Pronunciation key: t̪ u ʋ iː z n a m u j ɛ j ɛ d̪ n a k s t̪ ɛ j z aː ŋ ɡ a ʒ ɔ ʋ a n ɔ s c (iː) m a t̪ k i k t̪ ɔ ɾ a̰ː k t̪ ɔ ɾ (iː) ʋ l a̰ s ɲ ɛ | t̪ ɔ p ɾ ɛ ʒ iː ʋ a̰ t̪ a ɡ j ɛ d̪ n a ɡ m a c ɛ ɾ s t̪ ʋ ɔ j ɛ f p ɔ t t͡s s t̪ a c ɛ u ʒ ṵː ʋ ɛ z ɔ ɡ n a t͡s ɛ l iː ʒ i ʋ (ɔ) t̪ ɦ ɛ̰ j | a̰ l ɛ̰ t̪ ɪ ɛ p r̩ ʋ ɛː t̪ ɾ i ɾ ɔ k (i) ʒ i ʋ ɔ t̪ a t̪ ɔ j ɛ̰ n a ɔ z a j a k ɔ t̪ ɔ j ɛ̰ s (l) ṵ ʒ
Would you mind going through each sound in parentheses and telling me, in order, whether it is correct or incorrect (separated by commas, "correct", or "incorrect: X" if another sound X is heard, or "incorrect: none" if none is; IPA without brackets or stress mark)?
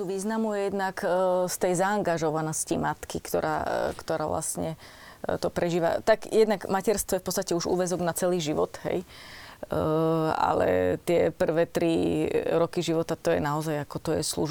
incorrect: i, incorrect: aː, correct, correct, correct